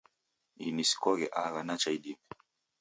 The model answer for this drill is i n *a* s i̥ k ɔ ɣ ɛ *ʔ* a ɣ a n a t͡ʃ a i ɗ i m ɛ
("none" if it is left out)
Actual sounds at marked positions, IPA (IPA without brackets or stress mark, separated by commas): i, ʔ